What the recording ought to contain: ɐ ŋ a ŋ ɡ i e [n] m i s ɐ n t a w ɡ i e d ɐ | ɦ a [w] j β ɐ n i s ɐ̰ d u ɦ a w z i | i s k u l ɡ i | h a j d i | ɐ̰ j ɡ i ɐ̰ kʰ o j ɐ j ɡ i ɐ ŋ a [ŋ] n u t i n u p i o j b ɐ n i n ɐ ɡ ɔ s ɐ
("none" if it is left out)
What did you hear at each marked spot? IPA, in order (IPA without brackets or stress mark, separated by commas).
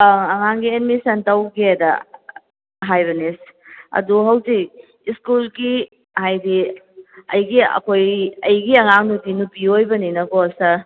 n, none, ŋ